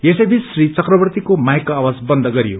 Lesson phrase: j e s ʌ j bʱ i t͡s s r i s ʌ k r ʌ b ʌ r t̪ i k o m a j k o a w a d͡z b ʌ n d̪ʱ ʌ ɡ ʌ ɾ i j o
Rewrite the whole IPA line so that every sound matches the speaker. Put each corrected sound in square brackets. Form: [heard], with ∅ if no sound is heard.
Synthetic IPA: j e s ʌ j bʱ i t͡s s r i [t͡s] ʌ k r ʌ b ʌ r t̪ i k o m a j k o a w a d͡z b ʌ n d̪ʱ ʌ ɡ ʌ ɾ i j o